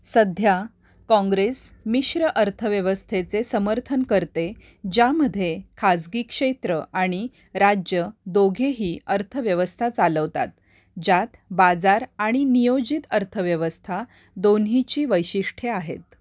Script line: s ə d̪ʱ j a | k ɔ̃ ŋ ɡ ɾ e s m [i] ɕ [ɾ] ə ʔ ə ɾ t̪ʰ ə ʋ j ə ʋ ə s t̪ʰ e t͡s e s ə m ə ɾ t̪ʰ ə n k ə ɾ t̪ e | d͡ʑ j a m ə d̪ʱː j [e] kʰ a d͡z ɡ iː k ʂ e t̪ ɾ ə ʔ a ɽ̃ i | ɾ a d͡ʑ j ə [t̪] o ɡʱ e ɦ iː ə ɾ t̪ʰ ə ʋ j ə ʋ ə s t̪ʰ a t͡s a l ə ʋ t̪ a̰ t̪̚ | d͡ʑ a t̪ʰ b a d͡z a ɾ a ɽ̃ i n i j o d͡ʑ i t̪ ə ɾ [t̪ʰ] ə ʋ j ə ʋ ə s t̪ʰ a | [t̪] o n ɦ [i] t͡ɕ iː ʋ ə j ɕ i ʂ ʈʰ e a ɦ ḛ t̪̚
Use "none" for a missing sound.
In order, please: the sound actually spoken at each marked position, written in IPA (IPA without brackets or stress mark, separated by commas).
i, ɾ, e, d̪, t̪ʰ, d̪, i